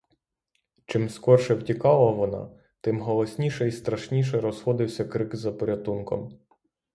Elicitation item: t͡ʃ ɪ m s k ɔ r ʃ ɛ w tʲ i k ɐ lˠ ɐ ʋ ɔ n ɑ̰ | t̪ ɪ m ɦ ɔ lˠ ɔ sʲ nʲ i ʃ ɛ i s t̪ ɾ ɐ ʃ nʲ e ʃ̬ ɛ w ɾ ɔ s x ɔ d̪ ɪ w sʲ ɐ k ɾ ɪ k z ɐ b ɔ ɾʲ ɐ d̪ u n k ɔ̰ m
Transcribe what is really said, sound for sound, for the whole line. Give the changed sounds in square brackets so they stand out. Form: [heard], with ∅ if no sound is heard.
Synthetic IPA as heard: t͡ʃ ɪ m s k ɔ r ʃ ɛ w tʲ i k [ɑ] lˠ ɐ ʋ ɔ n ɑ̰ | t̪ ɪ m ɦ ɔ lˠ ɔ sʲ nʲ i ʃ ɛ i s t̪ ɾ ɐ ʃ nʲ [i] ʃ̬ ɛ [∅] ɾ ɔ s x ɔ d̪ ɪ w sʲ ɐ k ɾ ɪ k z ɐ [p] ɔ ɾʲ ɐ [t̪] u n k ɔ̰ m